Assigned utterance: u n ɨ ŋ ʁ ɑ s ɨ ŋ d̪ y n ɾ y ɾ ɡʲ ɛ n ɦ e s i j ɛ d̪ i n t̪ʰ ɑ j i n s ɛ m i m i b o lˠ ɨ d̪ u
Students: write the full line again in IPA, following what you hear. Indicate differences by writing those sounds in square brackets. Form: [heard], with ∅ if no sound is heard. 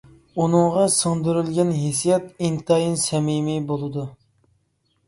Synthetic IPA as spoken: u n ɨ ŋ ʁ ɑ s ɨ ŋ d̪ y [∅] ɾ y [l] ɡʲ ɛ n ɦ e s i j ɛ [t̪] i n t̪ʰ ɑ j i n s ɛ m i m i b o lˠ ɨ d̪ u